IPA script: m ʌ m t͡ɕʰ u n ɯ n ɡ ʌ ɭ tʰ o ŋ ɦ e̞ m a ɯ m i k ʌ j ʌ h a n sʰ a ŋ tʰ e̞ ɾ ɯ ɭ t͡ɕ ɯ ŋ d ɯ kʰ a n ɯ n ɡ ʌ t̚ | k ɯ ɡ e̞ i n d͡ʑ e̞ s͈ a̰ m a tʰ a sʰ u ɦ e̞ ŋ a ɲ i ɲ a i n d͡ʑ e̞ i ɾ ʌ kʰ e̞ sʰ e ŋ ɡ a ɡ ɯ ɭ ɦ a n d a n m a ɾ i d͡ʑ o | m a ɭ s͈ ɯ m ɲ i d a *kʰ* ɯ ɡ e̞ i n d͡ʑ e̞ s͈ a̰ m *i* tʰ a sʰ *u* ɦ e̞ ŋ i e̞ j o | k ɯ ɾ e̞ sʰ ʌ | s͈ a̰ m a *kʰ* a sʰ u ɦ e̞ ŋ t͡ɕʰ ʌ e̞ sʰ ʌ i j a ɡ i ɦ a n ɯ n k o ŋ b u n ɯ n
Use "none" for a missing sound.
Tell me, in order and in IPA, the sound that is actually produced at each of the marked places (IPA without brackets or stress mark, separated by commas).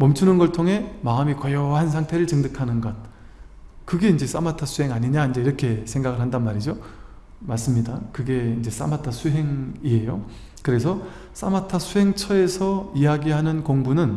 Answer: k, a, u, tʰ